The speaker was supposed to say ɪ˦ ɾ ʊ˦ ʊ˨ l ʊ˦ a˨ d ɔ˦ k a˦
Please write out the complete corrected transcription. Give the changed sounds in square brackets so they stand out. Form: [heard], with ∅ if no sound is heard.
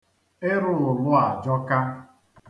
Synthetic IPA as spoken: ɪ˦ ɾ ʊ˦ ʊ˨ l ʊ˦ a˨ [d͡ʒ] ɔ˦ k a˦